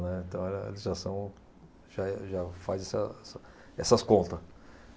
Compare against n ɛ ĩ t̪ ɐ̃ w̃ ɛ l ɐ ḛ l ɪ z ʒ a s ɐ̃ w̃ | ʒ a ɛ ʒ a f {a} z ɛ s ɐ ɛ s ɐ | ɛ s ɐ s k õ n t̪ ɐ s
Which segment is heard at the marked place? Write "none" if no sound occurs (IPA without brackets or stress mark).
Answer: a